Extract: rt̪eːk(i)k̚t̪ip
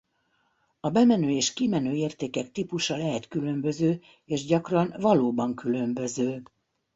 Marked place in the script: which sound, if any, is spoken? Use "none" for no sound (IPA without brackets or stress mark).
ɛ